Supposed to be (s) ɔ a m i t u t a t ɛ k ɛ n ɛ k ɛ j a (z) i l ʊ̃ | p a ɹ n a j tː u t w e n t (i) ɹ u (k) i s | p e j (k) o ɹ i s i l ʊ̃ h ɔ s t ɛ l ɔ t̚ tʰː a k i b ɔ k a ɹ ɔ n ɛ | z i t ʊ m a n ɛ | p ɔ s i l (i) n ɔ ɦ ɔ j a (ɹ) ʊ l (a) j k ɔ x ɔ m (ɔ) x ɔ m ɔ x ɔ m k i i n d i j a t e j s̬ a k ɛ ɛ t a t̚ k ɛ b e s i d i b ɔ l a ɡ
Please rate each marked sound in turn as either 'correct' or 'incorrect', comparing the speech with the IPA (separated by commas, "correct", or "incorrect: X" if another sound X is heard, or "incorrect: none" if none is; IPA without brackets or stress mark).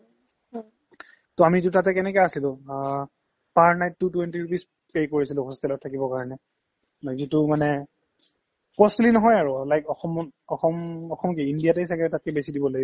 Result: incorrect: t, incorrect: s, correct, incorrect: p, correct, correct, correct, correct, correct